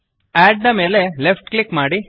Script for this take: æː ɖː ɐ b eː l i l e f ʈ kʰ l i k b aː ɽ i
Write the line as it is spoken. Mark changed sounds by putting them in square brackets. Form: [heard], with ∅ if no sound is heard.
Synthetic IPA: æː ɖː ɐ [m] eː l [e] l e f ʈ [k] l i k [m] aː ɽ i